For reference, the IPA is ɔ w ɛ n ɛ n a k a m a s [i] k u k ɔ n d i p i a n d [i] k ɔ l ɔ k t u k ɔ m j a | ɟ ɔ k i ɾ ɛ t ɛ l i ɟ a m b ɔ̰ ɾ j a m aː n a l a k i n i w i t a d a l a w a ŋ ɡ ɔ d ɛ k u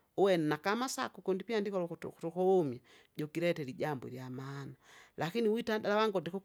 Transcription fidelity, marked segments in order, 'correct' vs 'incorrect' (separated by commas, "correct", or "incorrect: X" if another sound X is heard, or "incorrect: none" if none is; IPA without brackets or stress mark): incorrect: a, correct